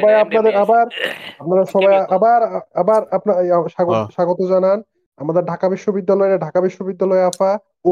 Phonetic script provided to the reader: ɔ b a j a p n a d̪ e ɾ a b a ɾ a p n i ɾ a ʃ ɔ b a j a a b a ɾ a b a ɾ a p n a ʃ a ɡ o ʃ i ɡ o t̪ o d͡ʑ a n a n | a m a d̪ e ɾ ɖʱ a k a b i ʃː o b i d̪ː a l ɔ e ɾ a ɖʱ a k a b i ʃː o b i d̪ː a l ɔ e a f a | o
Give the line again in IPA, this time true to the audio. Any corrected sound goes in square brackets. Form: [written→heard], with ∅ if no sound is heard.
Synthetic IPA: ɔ b a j a p n a d̪ e ɾ a b a ɾ a p n [i→a] ɾ a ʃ ɔ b a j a a b a ɾ a b a ɾ a p n a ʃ a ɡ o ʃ [i→a] ɡ o t̪ o d͡ʑ a n a n | a m a d̪ e ɾ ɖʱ a k a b i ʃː o b i d̪ː a l ɔ e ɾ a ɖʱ a k a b i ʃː o b i d̪ː a l ɔ e a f a | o